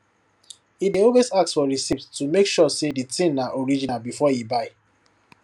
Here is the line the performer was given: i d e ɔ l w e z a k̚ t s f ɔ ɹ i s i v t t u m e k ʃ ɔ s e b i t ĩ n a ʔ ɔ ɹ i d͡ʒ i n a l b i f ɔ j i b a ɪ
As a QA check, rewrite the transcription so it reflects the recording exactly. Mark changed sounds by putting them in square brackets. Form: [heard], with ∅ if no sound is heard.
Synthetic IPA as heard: i d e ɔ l w e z a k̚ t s f ɔ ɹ i s i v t t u m e k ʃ ɔ s e [d] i t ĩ n a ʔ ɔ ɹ i d͡ʒ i n a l b i f ɔ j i b a ɪ